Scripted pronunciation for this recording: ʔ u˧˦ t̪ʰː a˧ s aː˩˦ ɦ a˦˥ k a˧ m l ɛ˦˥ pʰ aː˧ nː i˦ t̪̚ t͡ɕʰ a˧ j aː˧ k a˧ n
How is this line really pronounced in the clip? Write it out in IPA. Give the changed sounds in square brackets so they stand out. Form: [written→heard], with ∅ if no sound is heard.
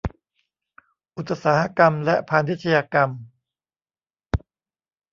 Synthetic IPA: ʔ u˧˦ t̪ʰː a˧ s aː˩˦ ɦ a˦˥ k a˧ m l ɛ˦˥ pʰ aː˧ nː i˦ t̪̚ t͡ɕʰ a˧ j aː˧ k a˧ [n→m]